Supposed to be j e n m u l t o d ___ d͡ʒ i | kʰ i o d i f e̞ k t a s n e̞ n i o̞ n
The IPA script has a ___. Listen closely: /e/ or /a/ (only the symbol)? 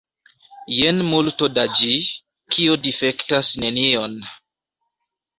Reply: a